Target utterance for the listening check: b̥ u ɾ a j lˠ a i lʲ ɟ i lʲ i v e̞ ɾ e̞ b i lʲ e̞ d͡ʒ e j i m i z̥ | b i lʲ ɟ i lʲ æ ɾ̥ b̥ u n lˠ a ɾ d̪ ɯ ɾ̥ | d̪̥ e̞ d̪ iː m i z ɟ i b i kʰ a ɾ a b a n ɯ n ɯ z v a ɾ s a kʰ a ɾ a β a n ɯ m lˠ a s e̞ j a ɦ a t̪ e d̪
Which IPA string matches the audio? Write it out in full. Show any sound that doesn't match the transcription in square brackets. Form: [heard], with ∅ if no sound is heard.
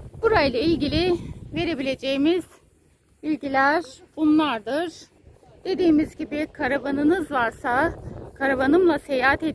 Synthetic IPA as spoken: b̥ u ɾ a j lˠ a i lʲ ɟ i lʲ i v e̞ ɾ e̞ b i lʲ e̞ d͡ʒ e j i m i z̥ | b i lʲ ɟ i lʲ æ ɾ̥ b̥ u n lˠ a ɾ d̪ ɯ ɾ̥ | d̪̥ e̞ d̪ iː m i z ɟ i b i kʰ a ɾ a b a n ɯ n ɯ z v a ɾ s a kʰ a ɾ a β a n ɯ m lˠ a s e̞ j a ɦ a t̪ e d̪